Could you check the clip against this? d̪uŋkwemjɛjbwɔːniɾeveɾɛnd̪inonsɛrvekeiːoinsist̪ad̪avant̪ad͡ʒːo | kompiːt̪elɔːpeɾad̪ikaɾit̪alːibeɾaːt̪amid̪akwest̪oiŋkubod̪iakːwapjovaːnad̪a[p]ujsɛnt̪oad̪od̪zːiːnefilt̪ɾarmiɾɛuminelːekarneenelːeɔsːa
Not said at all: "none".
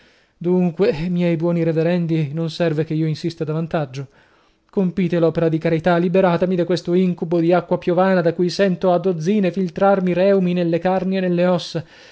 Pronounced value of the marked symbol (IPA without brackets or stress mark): k